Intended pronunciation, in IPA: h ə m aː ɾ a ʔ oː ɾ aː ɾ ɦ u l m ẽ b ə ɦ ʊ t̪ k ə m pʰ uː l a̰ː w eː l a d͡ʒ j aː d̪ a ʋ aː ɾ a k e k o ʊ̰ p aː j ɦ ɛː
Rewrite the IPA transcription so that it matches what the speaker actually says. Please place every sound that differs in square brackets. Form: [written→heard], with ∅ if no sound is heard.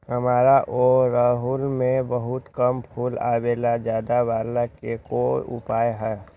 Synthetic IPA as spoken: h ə m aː ɾ a ʔ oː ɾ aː [ɾ→∅] ɦ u l m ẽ b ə ɦ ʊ t̪ k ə m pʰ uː l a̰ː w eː l a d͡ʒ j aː d̪ a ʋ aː [ɾ→l] a k e k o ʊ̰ p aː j ɦ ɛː

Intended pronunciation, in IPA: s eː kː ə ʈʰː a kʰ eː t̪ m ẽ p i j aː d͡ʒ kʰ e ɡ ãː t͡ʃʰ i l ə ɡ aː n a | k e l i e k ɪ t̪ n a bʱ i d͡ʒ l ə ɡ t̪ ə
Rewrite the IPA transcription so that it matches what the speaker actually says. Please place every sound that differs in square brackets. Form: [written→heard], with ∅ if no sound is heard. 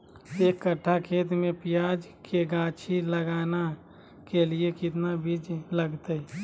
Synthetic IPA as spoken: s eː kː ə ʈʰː a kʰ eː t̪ m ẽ p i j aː d͡ʒ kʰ e ɡ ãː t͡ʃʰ i l ə ɡ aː n a | k e l i e k ɪ t̪ n a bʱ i d͡ʒ l ə ɡ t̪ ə

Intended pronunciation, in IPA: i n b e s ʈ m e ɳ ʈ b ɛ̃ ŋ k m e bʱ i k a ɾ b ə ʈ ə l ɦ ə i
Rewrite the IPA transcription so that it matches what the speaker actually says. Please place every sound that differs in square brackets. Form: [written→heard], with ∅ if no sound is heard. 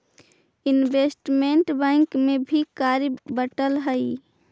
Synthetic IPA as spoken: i n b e s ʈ m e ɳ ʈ b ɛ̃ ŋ k m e bʱ i k a ɾ b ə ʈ ə l ɦ ə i

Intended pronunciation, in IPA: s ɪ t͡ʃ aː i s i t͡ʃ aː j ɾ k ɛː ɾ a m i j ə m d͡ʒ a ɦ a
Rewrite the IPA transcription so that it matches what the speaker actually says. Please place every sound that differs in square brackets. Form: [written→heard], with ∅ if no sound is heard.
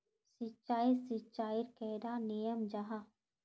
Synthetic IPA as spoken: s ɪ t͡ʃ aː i s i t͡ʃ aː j ɾ k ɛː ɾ a [m→n] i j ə m d͡ʒ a ɦ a

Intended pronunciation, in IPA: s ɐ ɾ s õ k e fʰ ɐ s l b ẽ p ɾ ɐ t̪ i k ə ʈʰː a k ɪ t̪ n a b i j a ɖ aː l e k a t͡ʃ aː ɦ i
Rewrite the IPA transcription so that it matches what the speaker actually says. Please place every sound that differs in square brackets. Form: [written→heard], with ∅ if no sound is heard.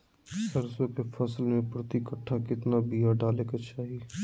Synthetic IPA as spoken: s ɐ ɾ s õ k e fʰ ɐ s l [b→m] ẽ p ɾ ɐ t̪ i k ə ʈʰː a k ɪ t̪ n a b i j a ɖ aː l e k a t͡ʃ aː ɦ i

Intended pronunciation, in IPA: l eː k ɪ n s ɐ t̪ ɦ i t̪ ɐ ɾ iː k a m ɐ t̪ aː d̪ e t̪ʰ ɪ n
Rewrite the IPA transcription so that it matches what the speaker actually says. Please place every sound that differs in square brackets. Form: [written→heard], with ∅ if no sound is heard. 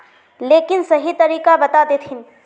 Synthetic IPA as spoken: l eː k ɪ n s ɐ [t̪→∅] ɦ i t̪ ɐ ɾ iː k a [m→b] ɐ t̪ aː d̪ e t̪ʰ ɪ n

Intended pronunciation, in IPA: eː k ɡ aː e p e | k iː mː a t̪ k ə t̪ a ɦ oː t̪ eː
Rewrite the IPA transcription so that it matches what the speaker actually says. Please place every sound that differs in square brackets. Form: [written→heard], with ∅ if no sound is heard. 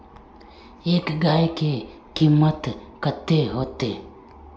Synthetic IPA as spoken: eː k ɡ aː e [p→k] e | k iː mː [a→ə] t̪ k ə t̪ [a→e] ɦ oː t̪ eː

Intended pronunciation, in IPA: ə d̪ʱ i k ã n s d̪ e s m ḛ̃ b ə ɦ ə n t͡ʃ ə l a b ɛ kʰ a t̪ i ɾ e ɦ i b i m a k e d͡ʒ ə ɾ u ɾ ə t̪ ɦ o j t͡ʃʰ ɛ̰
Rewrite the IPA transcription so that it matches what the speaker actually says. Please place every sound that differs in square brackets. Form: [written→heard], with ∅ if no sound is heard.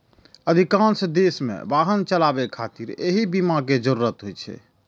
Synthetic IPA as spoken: ə d̪ʱ i k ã n s d̪ e s m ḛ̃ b [ə→a] ɦ ə n t͡ʃ ə l a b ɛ kʰ a t̪ i ɾ e ɦ i b i m a k e d͡ʒ ə ɾ u ɾ ə t̪ ɦ o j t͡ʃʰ ɛ̰

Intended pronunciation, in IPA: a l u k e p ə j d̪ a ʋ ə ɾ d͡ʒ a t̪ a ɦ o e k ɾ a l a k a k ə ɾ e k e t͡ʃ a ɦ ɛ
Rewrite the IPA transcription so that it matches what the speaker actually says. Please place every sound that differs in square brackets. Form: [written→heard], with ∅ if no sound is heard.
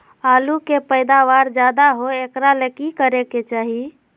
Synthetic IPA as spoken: a l u k e p ə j d̪ a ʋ [ə→a] ɾ d͡ʒ a [t̪→d̪] a ɦ o e k ɾ a l [a→e] k [a→i] k ə ɾ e k e t͡ʃ a ɦ [ɛ→i]

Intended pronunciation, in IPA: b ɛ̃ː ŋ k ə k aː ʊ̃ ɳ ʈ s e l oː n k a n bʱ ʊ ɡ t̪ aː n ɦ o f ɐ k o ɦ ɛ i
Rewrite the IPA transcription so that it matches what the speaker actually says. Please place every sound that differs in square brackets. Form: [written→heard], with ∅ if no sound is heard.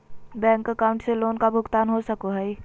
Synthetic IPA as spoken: b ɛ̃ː ŋ k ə k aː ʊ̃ ɳ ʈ s e l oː n k a [n→∅] bʱ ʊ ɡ t̪ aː n ɦ o [f→s] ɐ k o ɦ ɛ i

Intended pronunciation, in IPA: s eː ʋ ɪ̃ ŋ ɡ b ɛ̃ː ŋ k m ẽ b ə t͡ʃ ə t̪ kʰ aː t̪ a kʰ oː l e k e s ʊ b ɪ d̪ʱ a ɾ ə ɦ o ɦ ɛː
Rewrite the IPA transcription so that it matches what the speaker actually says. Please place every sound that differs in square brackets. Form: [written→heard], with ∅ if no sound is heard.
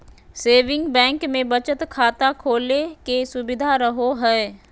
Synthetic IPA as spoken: s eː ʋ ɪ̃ ŋ ɡ b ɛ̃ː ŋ k m ẽ b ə t͡ʃ ə t̪ kʰ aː t̪ a kʰ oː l e k e s ʊ b ɪ d̪ʱ a ɾ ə ɦ o ɦ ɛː

